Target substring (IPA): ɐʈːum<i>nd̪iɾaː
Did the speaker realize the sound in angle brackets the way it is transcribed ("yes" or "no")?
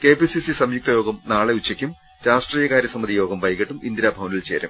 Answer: yes